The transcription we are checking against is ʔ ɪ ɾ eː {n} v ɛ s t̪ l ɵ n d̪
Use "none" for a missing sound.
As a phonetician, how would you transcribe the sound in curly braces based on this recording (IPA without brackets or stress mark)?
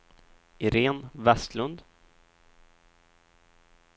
n